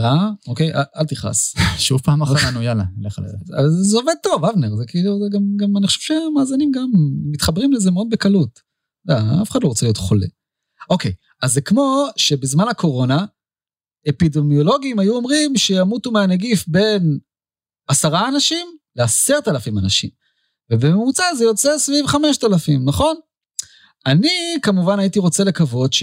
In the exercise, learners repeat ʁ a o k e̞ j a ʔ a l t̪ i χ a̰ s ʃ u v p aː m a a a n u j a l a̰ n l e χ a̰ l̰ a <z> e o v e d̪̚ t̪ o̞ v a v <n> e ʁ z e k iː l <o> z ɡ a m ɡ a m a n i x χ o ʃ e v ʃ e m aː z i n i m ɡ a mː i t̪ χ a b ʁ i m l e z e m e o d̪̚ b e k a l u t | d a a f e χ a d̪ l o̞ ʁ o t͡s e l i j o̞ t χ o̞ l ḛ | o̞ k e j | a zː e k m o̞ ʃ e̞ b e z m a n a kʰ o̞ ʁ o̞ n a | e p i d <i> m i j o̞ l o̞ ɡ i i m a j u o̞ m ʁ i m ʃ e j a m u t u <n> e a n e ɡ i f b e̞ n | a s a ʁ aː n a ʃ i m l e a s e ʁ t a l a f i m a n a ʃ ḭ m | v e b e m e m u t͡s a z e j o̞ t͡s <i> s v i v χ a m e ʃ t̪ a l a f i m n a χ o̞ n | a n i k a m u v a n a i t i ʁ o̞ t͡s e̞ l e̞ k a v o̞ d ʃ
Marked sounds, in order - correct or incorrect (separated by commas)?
correct, correct, incorrect, incorrect, incorrect, incorrect